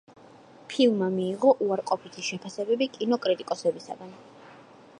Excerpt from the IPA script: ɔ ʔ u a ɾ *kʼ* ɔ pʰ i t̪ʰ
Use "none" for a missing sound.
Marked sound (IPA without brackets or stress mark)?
qʼ